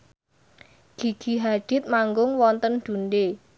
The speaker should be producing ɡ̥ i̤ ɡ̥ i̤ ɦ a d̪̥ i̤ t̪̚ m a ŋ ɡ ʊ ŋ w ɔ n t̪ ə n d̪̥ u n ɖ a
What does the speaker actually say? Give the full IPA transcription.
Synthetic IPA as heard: ɡ̥ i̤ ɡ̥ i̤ ɦ a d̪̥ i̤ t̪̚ m a ŋ ɡ ʊ ŋ w ɔ n t̪ ə n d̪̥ u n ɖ e